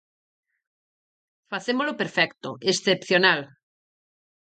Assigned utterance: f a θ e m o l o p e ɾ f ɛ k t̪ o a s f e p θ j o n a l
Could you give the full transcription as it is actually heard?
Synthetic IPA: f a θ e m o l o p e ɾ f ɛ k t̪ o e s θ e p θ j o n a l